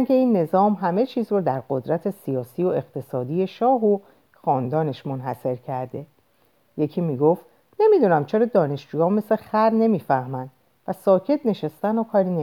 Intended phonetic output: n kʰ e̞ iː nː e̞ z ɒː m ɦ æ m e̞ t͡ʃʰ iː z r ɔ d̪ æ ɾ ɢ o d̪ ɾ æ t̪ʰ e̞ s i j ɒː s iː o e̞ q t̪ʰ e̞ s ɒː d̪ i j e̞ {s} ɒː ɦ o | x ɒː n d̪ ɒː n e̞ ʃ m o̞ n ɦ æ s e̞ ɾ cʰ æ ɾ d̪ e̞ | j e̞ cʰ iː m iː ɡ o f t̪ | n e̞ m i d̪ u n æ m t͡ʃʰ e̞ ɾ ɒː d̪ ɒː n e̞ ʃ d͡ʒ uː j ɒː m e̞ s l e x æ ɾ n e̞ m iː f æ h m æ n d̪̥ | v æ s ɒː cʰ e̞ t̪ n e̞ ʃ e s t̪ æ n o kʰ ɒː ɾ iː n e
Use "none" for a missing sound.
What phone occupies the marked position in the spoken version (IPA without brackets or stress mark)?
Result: ʃ